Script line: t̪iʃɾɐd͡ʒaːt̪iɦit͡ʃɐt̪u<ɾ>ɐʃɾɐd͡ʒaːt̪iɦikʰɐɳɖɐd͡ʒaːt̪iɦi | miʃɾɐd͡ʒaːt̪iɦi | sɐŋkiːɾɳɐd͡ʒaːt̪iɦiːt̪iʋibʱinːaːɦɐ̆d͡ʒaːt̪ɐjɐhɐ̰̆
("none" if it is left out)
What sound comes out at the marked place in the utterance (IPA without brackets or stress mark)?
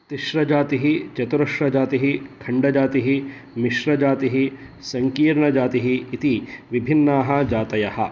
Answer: ɾ